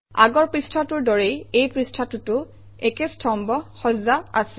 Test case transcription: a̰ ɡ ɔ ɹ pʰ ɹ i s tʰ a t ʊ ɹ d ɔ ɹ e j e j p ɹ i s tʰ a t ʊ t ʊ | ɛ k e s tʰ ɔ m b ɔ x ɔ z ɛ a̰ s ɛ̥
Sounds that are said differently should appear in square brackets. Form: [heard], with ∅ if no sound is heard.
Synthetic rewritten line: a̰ ɡ ɔ ɹ [p] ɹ i s tʰ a t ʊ ɹ d ɔ ɹ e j e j p ɹ i s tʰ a t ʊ t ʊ | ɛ k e s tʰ ɔ m b ɔ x ɔ z [a] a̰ s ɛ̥